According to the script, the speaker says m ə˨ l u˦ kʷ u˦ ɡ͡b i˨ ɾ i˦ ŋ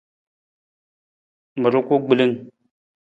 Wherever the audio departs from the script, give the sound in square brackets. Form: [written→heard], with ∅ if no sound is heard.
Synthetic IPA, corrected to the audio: m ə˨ [l→ɾ] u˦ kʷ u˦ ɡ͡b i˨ [ɾ→l] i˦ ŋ